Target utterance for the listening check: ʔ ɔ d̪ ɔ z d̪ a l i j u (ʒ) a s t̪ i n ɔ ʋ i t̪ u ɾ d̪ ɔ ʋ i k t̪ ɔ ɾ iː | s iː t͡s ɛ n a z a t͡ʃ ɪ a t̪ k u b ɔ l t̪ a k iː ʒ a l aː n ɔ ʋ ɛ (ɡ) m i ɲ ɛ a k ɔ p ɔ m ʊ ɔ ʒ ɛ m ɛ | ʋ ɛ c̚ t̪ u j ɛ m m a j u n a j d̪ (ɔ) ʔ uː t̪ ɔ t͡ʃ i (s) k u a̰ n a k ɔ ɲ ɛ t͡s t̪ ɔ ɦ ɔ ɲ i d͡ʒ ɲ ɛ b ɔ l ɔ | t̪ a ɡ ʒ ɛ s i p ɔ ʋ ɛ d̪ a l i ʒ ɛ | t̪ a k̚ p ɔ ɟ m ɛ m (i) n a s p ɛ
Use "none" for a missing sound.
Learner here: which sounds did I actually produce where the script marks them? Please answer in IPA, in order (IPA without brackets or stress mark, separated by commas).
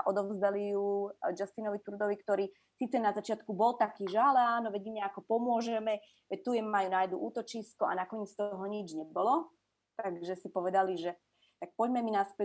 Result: d͡ʒ, ɟ, u, s, i